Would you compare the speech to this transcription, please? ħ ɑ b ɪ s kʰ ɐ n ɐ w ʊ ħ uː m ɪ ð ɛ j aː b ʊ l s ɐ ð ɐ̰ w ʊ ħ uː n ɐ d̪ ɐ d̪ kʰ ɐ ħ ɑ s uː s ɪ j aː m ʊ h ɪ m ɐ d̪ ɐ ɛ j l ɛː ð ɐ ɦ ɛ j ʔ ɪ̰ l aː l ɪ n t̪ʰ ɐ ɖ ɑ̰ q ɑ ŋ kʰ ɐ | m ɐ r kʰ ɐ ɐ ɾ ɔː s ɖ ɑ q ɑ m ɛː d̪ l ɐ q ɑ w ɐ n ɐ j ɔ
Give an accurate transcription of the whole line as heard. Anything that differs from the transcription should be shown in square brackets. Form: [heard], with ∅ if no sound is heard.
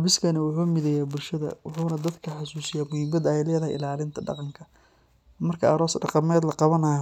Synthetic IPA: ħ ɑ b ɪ s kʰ ɐ n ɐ w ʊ ħ uː m ɪ ð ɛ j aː b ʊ l [ʃ] ɐ ð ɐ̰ w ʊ ħ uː n ɐ d̪ ɐ d̪ kʰ ɐ ħ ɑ s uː s ɪ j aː m ʊ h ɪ m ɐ d̪ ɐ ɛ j l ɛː ð ɐ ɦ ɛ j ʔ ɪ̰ l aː l ɪ n t̪ʰ ɐ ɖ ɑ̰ q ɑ ŋ kʰ ɐ | m ɐ r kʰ ɐ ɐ ɾ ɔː s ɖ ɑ q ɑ m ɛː d̪ l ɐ q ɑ [β] ɐ n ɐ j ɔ